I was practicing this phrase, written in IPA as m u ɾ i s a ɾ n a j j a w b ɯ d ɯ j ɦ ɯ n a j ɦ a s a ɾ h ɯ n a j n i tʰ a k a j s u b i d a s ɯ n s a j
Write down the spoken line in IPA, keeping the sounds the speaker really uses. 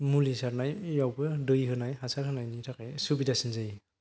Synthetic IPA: m u l i s a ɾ n a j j a w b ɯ d ɯ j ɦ ɯ n a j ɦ a s a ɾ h ɯ n a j n i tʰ a k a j s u b i d a s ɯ n z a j